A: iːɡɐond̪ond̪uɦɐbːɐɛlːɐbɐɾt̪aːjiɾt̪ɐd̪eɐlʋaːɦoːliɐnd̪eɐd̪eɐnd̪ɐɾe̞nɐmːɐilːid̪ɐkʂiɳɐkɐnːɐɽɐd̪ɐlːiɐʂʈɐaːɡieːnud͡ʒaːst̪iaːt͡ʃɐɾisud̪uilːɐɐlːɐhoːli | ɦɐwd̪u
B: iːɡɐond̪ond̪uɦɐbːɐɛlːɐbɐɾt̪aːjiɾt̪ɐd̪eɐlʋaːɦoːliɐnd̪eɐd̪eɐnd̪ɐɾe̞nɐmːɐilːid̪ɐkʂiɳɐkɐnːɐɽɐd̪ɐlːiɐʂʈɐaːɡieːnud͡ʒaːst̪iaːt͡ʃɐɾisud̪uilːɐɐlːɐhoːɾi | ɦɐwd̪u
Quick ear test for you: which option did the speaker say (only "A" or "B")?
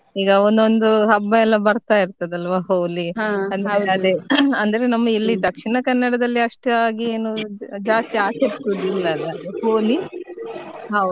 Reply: A